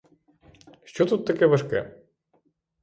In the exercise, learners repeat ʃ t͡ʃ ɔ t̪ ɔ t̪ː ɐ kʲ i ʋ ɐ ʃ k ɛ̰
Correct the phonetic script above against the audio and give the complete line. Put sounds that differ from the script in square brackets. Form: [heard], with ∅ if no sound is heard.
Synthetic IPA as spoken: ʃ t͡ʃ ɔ t̪ [u] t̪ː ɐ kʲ [ɛ] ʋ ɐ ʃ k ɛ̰